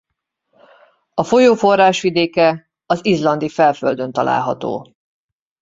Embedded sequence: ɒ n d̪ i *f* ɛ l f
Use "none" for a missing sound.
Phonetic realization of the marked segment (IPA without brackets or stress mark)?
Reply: f